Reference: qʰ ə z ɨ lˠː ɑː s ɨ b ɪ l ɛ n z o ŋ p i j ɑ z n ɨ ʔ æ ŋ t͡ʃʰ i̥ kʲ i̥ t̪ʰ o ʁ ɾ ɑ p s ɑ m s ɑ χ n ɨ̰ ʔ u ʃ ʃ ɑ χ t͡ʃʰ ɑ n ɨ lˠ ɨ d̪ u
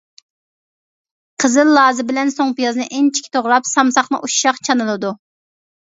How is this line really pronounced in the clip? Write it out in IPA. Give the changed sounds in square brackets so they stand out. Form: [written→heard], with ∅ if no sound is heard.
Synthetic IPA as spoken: qʰ ə z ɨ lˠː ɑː [s→z] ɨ b ɪ l ɛ n [z→s] o ŋ p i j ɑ z n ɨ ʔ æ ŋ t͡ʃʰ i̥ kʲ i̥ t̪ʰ o ʁ ɾ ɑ p s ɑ m s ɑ χ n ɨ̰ ʔ u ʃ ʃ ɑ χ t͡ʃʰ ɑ n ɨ lˠ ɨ d̪ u